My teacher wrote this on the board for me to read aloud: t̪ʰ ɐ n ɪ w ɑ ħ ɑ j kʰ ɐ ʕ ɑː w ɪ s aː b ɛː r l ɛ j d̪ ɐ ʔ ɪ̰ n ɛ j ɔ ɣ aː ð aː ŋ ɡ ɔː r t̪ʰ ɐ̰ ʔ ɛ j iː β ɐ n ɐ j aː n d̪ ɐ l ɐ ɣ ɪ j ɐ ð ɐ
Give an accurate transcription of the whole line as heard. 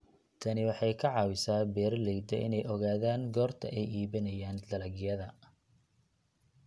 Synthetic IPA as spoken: t̪ʰ ɐ n ɪ w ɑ ħ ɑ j kʰ ɐ ʕ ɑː w ɪ s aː b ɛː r l ɛ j d̪ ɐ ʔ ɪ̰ n ɛ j ɔ ɣ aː ð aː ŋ ɡ ɔː r t̪ʰ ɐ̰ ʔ ɛ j iː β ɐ n ɐ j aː n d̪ ɐ l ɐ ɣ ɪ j ɐ ð ɐ